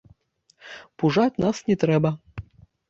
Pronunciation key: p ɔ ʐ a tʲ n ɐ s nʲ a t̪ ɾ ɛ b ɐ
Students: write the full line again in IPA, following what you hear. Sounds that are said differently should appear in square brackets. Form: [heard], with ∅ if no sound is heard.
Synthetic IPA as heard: p [u] ʐ a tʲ n [a] s nʲ [ɛ] t̪ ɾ ɛ b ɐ